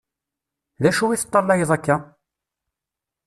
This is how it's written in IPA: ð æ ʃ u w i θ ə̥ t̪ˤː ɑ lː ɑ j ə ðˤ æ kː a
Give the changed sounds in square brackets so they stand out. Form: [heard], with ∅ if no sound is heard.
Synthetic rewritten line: ð æ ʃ u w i θ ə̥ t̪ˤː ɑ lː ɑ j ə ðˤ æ kː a

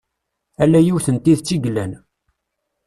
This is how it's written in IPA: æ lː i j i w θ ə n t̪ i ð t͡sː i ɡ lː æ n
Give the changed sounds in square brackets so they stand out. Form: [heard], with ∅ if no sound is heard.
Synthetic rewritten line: æ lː [æ] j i w θ ə n t̪ i ð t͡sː i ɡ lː æ n

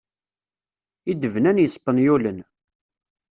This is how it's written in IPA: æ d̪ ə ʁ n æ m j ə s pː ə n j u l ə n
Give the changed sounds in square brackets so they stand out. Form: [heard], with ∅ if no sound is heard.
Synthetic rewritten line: [i] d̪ ə [v] n æ [n] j ə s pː ə n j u l ə n

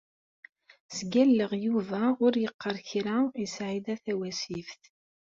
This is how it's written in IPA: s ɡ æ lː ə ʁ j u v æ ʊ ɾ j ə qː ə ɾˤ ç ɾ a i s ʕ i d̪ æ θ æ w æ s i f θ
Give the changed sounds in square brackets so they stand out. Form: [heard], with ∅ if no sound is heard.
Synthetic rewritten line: s ɡ æ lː ə ʁ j u v æ ʊ ɾ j ə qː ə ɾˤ ç ɾ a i s ʕ i d̪ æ θ æ w æ s i f θ

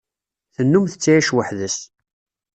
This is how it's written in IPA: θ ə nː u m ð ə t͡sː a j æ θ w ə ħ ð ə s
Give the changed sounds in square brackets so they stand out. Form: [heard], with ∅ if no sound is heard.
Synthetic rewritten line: θ ə nː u m [θ] ə t͡sː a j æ [ʃ] w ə ħ ð ə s

